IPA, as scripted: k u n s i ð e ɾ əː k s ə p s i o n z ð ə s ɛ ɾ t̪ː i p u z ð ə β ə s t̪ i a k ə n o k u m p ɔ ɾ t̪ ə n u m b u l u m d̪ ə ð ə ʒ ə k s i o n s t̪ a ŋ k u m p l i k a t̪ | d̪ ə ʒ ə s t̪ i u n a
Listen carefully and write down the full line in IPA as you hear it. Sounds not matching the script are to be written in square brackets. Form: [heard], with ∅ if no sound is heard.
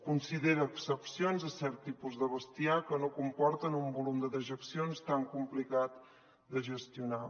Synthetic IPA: k u n s i ð e ɾ əː k s ə p s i o n z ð ə s ɛ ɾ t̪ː i p u z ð ə β ə s t̪ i a k ə n o k u m p ɔ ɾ t̪ ə n u m b u l u m d̪ ə ð ə ʒ ə k s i o n s t̪ a ŋ k u m p l i k a t̪ | d̪ ə ʒ ə s t̪ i u n a